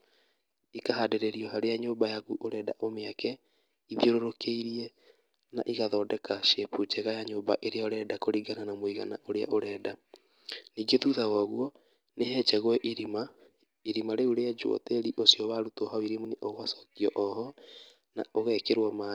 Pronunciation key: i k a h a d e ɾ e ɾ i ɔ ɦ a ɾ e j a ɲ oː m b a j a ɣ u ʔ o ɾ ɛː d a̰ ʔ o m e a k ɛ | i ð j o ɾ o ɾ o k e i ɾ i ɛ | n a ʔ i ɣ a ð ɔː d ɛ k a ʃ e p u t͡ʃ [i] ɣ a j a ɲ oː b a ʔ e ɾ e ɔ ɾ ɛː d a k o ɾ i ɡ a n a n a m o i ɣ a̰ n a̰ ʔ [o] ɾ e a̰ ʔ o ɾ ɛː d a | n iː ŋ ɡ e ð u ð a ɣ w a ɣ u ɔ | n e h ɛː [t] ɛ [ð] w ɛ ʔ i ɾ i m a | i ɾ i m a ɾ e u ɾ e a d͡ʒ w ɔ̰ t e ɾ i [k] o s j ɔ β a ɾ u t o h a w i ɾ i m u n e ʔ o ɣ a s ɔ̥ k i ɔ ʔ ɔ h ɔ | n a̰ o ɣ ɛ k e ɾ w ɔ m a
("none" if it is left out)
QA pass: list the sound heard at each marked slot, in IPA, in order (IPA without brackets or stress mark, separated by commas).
ɛ, o, t͡ʃ, ɣ, ʔ